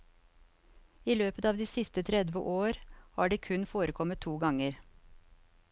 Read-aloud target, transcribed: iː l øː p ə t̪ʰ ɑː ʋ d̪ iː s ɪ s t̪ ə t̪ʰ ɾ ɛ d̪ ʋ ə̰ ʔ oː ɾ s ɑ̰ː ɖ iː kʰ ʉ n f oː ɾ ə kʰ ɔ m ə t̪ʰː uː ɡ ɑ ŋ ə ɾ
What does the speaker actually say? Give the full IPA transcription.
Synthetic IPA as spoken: iː l øː p ə t̪ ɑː ʋ d̪ iː s ɪ s t̪ ə t̪ʰ ɾ ɛ d̪ ʋ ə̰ ʔ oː ɾ h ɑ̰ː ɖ iː kʰ ʉ n f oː ɾ ə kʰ ɔ m ə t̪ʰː uː ɡ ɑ ŋ ə ɾ